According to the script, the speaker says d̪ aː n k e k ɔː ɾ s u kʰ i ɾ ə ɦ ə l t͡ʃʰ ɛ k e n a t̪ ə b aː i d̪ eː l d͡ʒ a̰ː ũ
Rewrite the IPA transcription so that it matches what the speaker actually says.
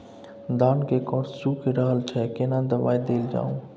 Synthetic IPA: d̪ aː n k e k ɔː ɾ s u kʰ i ɾ ə ɦ ə l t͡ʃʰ ɛ k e n a d̪ ə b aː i d̪ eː l d͡ʒ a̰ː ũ